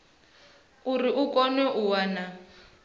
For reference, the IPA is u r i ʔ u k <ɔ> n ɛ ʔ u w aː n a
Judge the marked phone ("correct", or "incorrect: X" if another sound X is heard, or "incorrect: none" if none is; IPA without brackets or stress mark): correct